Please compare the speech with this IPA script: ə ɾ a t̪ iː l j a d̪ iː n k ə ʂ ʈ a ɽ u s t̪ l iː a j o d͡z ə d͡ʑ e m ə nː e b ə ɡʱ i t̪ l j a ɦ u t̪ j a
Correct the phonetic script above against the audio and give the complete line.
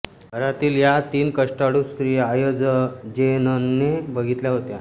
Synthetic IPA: ə ɾ a t̪ iː l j a t̪ iː n k ə ʂ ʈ a ɽ u s t̪ ɾ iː a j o d͡z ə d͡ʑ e n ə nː e b ə ɡʱ i t̪ l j a ɦ o t̪ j a

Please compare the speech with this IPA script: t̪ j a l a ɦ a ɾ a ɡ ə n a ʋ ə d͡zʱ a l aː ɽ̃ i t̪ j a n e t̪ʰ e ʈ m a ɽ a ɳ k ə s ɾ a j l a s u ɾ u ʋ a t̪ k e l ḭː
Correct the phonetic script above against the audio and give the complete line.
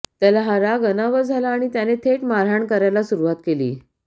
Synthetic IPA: t̪ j a l a ɦ a ɾ a ɡ ə n a ʋ ə d͡zʱ a l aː ɽ̃ i t̪ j a n e t̪ʰ e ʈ m a ɾ a ɳ k ə ɾ a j l a s u ɾ u ʋ a t̪ k e l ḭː

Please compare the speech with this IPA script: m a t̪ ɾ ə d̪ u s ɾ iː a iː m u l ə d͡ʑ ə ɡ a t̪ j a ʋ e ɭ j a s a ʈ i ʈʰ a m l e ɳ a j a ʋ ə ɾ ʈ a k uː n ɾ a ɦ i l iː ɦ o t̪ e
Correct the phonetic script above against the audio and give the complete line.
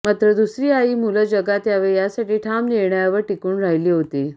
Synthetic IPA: m a t̪ ɾ ə d̪ u s ɾ iː a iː m u l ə d͡ʑ ə ɡ a t̪ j a ʋ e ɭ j a s a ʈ iː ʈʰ a m l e ɳ a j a ʋ ə ɾ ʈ i k uː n ɾ a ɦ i l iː ɦ o t̪ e

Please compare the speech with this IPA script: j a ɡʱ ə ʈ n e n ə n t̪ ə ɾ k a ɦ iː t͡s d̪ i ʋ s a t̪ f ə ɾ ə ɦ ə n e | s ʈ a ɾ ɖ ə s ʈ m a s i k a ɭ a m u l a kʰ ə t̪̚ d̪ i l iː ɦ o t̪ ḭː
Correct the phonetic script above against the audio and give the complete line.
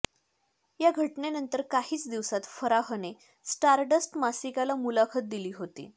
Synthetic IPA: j a ɡʱ ə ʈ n e n ə n t̪ ə ɾ k a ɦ iː t͡s d̪ i ʋ s a t̪ f ə ɾ a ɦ ə n e | s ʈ a ɾ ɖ ə s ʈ m a s i k a l a m u l a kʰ ə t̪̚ d̪ i l iː ɦ o t̪ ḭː

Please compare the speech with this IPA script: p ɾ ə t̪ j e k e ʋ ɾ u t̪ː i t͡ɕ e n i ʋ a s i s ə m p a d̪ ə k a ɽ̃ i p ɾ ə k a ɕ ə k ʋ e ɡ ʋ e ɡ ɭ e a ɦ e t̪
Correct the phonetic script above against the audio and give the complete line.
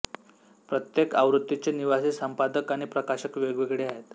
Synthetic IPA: p ɾ ə t̪ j e k a ʋ ɾ u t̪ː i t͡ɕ e n i ʋ a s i s ə m p a d̪ ə k a ɽ̃ i p ɾ ə k a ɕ ə k ʋ e ɡ ʋ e ɡ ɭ e a ɦ e t̪

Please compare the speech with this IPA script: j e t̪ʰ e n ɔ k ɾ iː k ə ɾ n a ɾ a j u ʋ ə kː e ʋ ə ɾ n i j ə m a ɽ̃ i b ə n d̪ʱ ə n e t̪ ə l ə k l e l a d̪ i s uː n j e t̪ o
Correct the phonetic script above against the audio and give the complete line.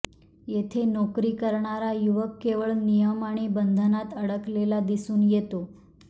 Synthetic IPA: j e t̪ʰ e n ɔ k ɾ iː k ə ɾ ɳ a ɾ a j u ʋ ə kː e ʋ ə ɭ n i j ə m a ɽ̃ i b ə n d̪ʱ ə n a t̪ ə ɽ ə k l e l a d̪ i s uː n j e t̪ o

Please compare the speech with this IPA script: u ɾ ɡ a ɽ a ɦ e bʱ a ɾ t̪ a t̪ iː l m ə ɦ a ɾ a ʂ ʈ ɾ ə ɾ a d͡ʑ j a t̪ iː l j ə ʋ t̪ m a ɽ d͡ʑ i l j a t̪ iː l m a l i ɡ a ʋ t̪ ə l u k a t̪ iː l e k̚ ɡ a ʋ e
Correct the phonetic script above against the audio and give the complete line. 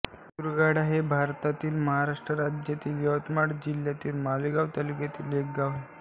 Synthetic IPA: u ɾ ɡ a ɽ a ɦ e bʱ a ɾ t̪ a t̪ iː l m ə ɦ a ɾ a ʂ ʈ ɾ ə ɾ a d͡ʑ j a t̪ iː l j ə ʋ t̪ m a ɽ d͡ʑ i l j a t̪ iː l m a l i ɡ a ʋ t̪ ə l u k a t̪ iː l e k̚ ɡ a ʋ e

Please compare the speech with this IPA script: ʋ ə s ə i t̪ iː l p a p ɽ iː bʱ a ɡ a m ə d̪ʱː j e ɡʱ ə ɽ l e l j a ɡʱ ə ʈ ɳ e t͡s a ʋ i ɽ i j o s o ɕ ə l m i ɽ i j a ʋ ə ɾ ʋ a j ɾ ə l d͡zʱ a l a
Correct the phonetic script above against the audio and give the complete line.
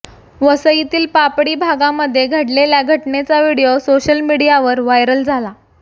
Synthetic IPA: ʋ ə s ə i t̪ iː l p a p ɽ iː bʱ a ɡ a m ə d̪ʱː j e ɡʱ ə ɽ l e l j a ɡʱ ə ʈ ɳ e t͡s a ʋ i ɽ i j o s o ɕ ə l m i ɽ i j a ʋ ə ɾ ʋ a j ɾ ə l d͡zʱ a l a

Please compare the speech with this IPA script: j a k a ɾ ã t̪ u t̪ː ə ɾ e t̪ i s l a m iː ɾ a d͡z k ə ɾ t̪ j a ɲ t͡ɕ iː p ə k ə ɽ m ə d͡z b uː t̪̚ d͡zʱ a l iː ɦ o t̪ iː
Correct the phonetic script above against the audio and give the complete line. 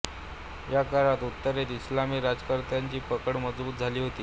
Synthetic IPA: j a k a ɾ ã t̪ u t̪ː ə ɾ e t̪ i s l a m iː ɾ a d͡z k ə ɾ t̪ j a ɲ t͡ɕ iː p ə k ə ɽ m ə d͡z b uː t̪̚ d͡zʱ a l iː ɦ o t̪ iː

